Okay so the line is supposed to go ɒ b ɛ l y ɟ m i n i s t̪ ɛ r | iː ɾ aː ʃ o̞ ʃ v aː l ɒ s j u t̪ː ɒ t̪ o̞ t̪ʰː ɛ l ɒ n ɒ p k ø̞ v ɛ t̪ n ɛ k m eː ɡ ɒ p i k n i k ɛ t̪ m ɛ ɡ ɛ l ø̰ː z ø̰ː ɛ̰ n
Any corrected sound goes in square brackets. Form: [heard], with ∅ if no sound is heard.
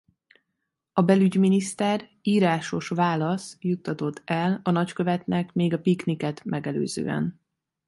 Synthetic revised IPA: ɒ b ɛ l y ɟ m i n i s t̪ ɛ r | iː ɾ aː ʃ o̞ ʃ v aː l ɒ s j u t̪ː ɒ t̪ o̞ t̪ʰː ɛ l ɒ n ɒ [c] k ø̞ v ɛ t̪ n ɛ k m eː ɡ ɒ p i k n i k ɛ t̪ m ɛ ɡ ɛ l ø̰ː z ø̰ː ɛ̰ n

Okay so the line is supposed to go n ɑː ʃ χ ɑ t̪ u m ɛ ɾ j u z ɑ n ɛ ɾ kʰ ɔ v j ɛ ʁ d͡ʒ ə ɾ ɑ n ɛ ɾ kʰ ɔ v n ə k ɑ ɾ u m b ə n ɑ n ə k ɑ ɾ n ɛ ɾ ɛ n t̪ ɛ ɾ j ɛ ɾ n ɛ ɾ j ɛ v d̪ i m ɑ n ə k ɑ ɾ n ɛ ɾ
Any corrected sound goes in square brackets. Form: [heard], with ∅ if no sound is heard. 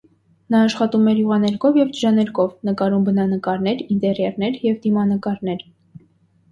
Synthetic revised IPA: n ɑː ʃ χ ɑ t̪ u m ɛ ɾ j u [ʁ] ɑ n ɛ ɾ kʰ ɔ v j ɛ [v] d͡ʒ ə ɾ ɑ n ɛ ɾ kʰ ɔ v n ə k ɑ ɾ u m b ə n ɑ n ə k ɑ ɾ n ɛ ɾ [i] n t̪ ɛ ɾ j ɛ ɾ n ɛ ɾ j ɛ v d̪ i m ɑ n ə k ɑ ɾ n ɛ ɾ

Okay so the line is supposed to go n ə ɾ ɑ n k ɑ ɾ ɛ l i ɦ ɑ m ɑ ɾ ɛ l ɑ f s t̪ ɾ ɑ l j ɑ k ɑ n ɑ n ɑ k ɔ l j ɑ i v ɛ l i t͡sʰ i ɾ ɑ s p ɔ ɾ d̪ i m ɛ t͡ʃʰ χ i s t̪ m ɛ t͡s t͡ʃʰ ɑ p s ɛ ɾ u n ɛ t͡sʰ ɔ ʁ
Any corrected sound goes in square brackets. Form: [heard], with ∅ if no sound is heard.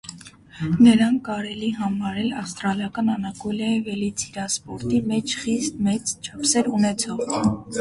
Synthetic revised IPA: n ə ɾ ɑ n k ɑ ɾ ɛ l i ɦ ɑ m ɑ ɾ ɛ l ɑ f s t̪ ɾ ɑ l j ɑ k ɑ n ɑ n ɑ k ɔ l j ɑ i v ɛ l i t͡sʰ i ɾ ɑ s p ɔ ɾ [t̪] i m ɛ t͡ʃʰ χ i s t̪ m ɛ t͡s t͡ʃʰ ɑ p s ɛ ɾ u n ɛ t͡sʰ ɔ ʁ

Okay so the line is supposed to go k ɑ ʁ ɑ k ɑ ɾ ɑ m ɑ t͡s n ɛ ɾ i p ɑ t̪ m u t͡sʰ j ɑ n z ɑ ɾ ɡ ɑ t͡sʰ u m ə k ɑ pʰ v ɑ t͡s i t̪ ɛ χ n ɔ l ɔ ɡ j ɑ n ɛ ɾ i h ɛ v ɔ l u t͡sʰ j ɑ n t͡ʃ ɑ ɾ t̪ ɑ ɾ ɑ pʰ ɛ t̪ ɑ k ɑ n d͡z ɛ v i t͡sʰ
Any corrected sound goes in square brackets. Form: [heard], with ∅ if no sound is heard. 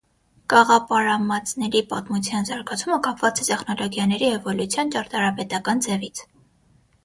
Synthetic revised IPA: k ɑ ʁ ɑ [p] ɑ ɾ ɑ m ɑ t͡s n ɛ ɾ i p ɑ t̪ m u t͡sʰ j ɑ n z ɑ ɾ ɡ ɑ t͡sʰ u m ə k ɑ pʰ v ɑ t͡s [ɛ] t̪ ɛ χ n ɔ l ɔ ɡ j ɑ n ɛ ɾ i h ɛ v ɔ l u t͡sʰ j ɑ n t͡ʃ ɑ ɾ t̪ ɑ ɾ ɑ [p] ɛ t̪ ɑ k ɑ n d͡z ɛ v i t͡sʰ

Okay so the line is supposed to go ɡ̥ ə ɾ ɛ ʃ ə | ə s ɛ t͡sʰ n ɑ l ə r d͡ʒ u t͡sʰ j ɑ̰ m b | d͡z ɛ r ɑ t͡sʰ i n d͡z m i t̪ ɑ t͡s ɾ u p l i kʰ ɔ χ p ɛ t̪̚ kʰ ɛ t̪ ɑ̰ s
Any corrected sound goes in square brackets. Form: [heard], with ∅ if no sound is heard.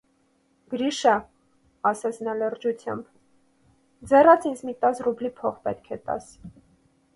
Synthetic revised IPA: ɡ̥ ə ɾ [i] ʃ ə | [ɑ] s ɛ t͡sʰ n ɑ l ə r d͡ʒ u t͡sʰ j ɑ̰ m b | d͡z ɛ r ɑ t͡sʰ i n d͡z m i t̪ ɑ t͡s [r] u [b] l i [pʰ] ɔ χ p ɛ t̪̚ kʰ ɛ t̪ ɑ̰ s

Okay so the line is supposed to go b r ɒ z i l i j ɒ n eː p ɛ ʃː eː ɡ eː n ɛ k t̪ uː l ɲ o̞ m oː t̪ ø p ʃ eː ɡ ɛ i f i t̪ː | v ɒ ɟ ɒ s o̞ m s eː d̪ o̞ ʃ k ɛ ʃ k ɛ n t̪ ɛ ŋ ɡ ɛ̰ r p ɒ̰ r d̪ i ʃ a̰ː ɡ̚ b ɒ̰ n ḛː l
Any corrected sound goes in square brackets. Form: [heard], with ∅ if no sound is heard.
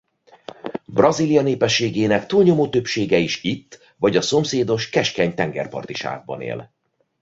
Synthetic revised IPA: b r ɒ z i l i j ɒ n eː p ɛ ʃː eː ɡ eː n ɛ k t̪ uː l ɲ o̞ m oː t̪ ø p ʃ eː ɡ ɛ i [ʃ] i t̪ː | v ɒ ɟ ɒ s o̞ m s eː d̪ o̞ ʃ k ɛ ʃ k ɛ [ɲ] t̪ ɛ ŋ ɡ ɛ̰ r p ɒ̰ r [t̪] i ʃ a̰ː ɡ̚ b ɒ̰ n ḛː l

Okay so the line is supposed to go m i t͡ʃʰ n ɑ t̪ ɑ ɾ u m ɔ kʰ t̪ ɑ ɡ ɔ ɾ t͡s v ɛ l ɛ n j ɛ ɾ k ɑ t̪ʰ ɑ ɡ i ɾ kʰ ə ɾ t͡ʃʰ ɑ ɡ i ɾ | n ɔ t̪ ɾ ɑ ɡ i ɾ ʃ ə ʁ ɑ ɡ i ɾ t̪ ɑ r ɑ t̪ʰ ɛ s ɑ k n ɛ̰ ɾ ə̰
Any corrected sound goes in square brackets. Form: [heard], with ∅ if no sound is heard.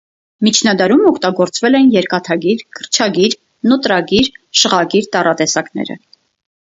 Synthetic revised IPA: m i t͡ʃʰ n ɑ [d̪] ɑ ɾ u m ɔ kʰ t̪ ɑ ɡ ɔ ɾ t͡s v ɛ l ɛ n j ɛ ɾ k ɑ t̪ʰ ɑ ɡ i ɾ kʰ ə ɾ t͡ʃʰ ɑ ɡ i ɾ | n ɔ t̪ ɾ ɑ ɡ i ɾ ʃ ə ʁ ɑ ɡ i ɾ t̪ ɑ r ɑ [t̪] ɛ s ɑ k n ɛ̰ ɾ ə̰

